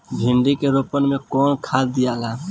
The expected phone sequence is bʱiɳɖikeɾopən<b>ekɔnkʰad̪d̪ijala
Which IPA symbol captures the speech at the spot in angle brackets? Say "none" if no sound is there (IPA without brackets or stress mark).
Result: m